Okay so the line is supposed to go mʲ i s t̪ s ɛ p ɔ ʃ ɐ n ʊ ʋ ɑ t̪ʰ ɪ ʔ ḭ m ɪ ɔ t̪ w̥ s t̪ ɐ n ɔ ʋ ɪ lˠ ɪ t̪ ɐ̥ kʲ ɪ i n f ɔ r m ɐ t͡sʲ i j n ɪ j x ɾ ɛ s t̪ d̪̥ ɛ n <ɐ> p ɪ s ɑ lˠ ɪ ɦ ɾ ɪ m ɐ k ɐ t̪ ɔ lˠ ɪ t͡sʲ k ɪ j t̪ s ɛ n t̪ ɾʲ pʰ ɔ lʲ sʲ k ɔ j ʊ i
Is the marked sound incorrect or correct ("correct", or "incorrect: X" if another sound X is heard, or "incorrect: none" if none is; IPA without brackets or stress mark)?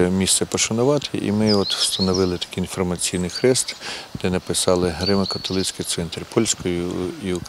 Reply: correct